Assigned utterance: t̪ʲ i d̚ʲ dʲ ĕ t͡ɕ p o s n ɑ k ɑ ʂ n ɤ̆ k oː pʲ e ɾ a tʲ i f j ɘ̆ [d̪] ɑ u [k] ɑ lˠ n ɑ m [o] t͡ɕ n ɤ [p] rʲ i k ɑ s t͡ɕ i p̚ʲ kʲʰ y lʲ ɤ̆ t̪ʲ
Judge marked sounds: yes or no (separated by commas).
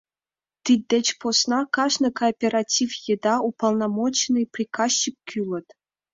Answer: yes, no, yes, yes